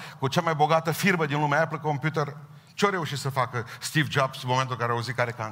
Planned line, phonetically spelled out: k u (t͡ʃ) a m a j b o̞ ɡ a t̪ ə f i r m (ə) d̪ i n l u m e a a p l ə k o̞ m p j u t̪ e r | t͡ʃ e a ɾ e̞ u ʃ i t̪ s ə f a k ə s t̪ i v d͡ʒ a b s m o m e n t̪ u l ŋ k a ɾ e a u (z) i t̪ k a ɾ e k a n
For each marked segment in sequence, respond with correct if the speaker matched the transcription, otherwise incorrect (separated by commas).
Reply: correct, correct, correct